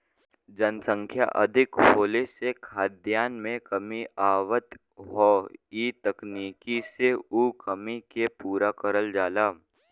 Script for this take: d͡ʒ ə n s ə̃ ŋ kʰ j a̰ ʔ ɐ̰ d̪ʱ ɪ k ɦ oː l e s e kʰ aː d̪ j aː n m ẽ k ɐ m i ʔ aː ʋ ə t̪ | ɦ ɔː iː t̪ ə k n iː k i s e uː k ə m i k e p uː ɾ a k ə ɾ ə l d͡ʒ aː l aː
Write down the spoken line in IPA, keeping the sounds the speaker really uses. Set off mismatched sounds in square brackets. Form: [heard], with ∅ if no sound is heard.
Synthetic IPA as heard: d͡ʒ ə n s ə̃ ŋ kʰ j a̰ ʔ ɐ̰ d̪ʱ ɪ k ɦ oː l e s e kʰ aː d̪ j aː n m ẽ k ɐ m i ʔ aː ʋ ə t̪ | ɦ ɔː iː t̪ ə k n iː k i s e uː k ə m i k e p uː ɾ a k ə ɾ ə l d͡ʒ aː l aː